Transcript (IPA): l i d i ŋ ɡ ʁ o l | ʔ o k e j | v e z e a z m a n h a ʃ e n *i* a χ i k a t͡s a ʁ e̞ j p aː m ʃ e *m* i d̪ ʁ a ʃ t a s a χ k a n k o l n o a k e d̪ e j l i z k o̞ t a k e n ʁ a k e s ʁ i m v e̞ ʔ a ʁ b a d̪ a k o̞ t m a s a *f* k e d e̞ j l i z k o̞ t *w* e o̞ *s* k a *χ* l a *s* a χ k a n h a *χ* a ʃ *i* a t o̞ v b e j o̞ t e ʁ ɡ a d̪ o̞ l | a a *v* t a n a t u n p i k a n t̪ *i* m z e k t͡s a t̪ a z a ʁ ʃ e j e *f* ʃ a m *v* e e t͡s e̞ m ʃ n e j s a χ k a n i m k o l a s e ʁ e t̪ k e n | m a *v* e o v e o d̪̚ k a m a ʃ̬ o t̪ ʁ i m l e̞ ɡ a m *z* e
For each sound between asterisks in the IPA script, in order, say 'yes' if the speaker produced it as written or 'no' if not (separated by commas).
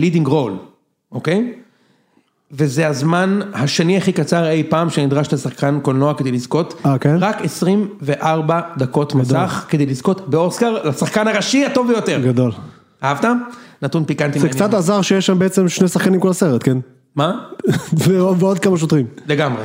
yes, no, no, no, yes, no, yes, no, yes, yes, yes, no, no, no, no